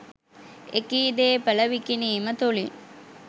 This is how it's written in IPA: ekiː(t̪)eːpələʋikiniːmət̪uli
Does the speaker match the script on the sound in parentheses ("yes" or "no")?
no